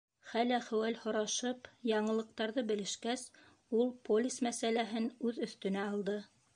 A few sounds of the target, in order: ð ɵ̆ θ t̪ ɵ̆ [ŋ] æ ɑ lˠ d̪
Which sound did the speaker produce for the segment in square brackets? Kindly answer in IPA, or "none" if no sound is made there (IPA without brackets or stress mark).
n